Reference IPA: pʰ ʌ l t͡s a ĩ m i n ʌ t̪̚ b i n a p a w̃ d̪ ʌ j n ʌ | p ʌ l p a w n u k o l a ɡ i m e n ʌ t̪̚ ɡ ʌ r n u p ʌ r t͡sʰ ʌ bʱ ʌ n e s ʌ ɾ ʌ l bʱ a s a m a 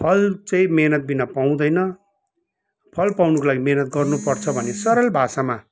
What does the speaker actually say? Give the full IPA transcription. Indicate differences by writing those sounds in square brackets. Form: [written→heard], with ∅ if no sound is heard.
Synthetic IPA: pʰ ʌ l t͡s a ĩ m [i→e] n ʌ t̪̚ b i n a p a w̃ d̪ ʌ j n ʌ | [p→pʰ] ʌ l p a w n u k o l a ɡ i m e n ʌ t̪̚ ɡ ʌ r n u p ʌ r t͡sʰ ʌ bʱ ʌ n e s ʌ ɾ ʌ l bʱ a s a m a